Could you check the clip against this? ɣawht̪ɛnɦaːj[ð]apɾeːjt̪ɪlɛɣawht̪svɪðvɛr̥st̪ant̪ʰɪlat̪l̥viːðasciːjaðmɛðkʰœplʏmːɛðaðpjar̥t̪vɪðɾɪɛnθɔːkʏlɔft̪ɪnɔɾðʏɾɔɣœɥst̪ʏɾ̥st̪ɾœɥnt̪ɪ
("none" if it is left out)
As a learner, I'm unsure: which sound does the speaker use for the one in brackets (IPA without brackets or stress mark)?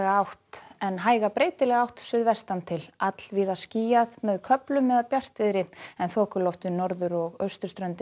ɣ